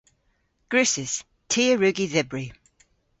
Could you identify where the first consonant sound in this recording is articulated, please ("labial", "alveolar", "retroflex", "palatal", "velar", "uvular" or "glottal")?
velar